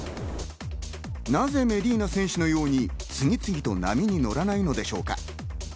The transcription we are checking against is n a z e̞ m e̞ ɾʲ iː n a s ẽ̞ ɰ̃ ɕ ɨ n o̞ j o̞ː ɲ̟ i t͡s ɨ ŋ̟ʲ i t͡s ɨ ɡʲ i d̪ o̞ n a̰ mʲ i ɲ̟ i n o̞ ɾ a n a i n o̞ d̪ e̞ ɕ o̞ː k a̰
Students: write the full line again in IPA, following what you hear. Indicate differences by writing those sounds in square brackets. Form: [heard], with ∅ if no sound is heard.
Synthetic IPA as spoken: n a z e̞ m e̞ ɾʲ iː n a s ẽ̞ ɰ̃ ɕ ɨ n o̞ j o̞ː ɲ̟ i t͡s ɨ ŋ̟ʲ i t͡s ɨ ɡʲ i [t̪] o̞ n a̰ mʲ i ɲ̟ i n o̞ ɾ a n a i n o̞ d̪ e̞ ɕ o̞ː k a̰